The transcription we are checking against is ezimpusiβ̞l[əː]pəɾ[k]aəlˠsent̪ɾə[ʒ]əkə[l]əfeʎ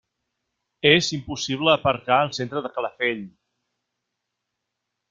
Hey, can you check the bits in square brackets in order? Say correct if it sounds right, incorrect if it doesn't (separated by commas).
correct, correct, incorrect, correct